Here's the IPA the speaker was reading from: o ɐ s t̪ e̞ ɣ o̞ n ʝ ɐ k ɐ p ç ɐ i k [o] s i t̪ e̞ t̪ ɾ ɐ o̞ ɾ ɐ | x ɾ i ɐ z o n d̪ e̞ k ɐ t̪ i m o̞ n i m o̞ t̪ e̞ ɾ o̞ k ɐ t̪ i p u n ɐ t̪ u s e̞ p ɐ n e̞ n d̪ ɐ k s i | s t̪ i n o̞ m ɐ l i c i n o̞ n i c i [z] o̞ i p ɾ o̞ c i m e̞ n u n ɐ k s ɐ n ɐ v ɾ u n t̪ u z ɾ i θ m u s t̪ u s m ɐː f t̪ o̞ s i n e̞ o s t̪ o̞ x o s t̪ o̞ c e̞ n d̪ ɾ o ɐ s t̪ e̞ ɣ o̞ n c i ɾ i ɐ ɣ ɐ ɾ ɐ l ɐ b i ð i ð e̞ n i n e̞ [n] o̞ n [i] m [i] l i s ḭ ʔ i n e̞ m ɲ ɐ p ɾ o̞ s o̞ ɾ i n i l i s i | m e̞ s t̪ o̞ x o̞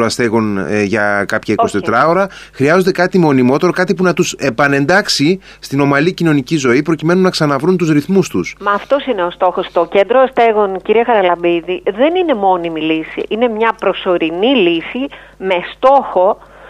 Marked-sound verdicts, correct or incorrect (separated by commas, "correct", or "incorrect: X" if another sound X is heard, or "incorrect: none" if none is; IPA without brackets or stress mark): correct, correct, incorrect: m, correct, correct